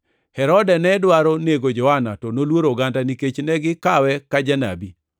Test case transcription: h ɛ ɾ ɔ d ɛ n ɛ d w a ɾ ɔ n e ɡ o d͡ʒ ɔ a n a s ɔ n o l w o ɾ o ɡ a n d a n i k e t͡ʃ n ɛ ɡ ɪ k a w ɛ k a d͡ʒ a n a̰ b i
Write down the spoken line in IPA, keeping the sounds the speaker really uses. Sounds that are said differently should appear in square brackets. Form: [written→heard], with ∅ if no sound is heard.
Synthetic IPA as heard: h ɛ ɾ ɔ d ɛ n ɛ d w a ɾ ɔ n e ɡ o d͡ʒ ɔ a n a [s→t] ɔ n o l w o ɾ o ɡ a n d a n i k e t͡ʃ n ɛ ɡ ɪ k a w ɛ k a d͡ʒ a n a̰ b i